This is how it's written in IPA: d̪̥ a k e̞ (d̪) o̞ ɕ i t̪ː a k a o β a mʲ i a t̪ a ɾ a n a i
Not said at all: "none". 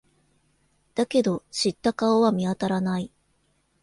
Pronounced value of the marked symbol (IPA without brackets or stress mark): d̪